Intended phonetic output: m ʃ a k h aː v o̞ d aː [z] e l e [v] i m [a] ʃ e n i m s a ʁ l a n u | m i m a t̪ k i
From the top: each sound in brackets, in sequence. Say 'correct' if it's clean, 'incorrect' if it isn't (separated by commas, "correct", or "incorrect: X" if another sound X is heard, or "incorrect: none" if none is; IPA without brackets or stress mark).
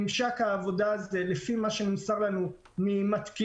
correct, incorrect: f, correct